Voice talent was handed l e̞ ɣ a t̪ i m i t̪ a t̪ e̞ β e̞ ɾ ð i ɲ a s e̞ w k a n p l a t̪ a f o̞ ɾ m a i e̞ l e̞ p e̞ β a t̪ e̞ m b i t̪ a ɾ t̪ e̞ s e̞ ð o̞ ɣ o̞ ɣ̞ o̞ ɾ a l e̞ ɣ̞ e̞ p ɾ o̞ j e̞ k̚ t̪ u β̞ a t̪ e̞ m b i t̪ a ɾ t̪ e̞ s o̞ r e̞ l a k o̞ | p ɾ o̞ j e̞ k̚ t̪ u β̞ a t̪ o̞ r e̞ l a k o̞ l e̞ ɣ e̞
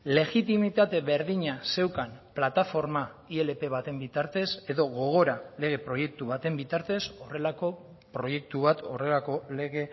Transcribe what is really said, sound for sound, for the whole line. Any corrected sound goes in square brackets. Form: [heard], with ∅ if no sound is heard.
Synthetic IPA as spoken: l e̞ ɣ [i] t̪ i m i t̪ a t̪ e̞ β e̞ ɾ ð i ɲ a s e̞ w k a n p l a t̪ a f o̞ ɾ m a i e̞ l e̞ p e̞ β a t̪ e̞ m b i t̪ a ɾ t̪ e̞ s e̞ ð o̞ ɣ o̞ ɣ̞ o̞ ɾ a l e̞ ɣ̞ e̞ p ɾ o̞ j e̞ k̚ t̪ u β̞ a t̪ e̞ m b i t̪ a ɾ t̪ e̞ s o̞ r e̞ l a k o̞ | p ɾ o̞ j e̞ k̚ t̪ u β̞ a t̪ o̞ r e̞ l a k o̞ l e̞ ɣ e̞